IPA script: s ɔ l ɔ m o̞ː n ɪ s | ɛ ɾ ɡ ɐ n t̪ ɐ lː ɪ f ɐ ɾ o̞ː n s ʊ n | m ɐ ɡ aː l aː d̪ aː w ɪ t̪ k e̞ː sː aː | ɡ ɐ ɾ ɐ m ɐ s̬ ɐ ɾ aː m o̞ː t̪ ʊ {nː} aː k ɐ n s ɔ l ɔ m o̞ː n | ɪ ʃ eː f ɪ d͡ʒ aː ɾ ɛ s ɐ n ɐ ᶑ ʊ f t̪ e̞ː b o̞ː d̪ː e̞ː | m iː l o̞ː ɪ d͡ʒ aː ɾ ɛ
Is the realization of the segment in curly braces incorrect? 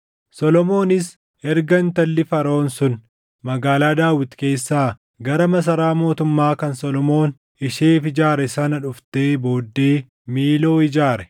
yes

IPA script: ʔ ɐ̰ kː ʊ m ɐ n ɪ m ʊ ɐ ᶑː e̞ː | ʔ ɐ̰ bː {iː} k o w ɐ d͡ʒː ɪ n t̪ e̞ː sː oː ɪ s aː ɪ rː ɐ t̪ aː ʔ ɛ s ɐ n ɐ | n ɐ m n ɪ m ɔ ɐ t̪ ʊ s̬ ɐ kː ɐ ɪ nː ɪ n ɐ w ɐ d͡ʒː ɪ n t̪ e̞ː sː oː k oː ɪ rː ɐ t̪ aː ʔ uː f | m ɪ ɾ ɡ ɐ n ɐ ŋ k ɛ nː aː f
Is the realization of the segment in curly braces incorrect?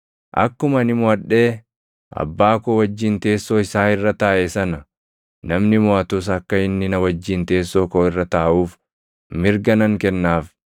yes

